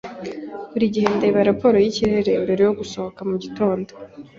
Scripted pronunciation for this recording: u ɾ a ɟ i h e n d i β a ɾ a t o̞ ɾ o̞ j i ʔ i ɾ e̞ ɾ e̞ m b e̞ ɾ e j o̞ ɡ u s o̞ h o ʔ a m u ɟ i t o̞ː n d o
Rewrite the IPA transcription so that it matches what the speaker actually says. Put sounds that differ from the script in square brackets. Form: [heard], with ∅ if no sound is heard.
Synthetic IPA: u ɾ [i] ɟ i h e n d [e] β a ɾ a [p] o̞ ɾ o̞ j i [c] i ɾ e̞ ɾ e̞ m b e̞ ɾ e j o̞ ɡ u s o̞ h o [k] a m u ɟ i t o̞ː n d o